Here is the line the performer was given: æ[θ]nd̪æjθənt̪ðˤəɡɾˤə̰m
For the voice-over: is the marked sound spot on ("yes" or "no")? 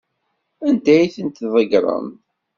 no